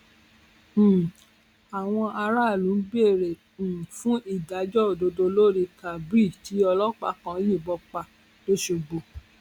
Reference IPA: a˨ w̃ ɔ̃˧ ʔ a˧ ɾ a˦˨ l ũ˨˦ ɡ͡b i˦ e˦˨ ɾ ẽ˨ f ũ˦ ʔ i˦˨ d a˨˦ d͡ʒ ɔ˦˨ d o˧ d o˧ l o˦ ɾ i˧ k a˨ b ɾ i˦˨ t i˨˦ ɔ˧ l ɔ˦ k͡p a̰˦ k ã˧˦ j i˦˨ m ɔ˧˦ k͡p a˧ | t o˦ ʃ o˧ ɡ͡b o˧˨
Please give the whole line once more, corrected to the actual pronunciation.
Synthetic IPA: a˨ w̃ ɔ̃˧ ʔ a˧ ɾ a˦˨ l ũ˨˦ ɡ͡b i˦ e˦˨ ɾ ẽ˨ f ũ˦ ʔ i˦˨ d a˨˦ d͡ʒ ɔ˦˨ d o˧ d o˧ l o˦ ɾ i˧ k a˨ b ɾ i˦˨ t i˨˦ ɔ˧ l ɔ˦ k͡p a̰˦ k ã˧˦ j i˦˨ b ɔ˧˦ k͡p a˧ | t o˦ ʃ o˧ ɡ͡b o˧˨